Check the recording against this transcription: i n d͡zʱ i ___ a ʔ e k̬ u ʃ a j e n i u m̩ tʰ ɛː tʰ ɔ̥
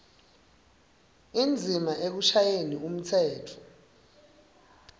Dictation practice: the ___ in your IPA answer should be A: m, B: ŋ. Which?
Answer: A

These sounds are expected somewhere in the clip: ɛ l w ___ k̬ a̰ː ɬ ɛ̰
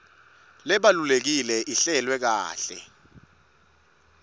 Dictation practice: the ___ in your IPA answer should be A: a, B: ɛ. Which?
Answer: B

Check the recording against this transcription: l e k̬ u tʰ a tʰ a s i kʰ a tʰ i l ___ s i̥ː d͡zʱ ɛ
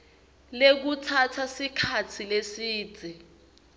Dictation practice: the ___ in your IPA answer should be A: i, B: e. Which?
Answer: B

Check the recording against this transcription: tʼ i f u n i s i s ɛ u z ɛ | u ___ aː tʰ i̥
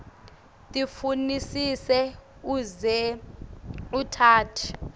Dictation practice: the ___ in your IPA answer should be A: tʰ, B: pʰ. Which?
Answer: A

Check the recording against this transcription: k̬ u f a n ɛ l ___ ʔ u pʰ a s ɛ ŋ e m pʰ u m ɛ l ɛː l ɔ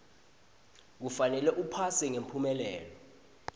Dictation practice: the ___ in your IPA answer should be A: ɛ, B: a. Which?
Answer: A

